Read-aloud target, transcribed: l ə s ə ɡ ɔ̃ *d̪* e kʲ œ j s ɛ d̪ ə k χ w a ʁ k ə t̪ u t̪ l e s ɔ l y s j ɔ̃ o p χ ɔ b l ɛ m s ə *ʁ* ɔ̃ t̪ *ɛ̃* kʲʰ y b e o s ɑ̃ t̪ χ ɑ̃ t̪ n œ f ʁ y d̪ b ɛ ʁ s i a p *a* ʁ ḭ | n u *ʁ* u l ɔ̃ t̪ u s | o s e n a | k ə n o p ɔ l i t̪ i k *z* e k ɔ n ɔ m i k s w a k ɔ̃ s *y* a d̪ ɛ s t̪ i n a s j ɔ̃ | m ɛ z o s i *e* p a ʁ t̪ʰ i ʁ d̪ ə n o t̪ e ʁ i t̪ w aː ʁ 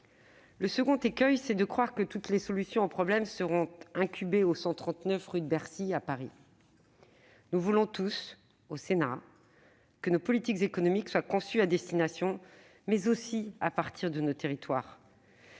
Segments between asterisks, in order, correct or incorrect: incorrect: t̪, correct, correct, correct, incorrect: v, correct, correct, incorrect: a

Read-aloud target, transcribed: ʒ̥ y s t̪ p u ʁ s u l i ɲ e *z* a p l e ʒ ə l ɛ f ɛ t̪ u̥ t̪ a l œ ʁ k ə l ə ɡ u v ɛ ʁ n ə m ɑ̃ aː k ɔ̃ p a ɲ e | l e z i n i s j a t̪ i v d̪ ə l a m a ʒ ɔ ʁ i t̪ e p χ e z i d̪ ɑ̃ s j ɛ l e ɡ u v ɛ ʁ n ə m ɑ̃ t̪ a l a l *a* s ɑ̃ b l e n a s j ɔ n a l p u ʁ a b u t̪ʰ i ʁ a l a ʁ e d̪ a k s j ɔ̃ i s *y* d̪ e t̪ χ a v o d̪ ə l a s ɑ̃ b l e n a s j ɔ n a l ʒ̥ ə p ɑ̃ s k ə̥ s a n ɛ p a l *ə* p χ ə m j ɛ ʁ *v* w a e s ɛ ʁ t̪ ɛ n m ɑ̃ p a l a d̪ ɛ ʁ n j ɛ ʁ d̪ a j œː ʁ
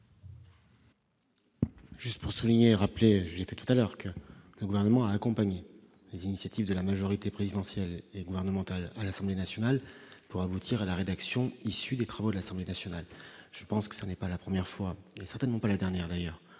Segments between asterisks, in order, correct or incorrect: incorrect: ʁ, correct, correct, incorrect: a, incorrect: f

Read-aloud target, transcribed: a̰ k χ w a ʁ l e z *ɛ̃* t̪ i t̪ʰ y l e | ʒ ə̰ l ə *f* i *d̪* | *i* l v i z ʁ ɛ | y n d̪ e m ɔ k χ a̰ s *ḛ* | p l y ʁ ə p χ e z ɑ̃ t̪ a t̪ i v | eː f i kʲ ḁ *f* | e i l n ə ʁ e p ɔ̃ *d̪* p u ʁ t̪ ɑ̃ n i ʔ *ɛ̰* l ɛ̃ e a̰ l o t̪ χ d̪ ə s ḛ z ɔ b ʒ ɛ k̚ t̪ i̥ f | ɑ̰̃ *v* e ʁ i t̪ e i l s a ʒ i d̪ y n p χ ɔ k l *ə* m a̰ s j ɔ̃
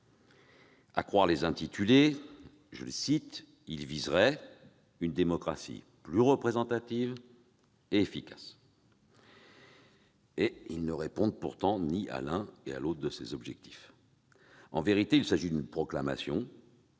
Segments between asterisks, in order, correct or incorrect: correct, incorrect: s, incorrect: t̪, correct, incorrect: ḭ, incorrect: s, correct, incorrect: a̰, correct, incorrect: a

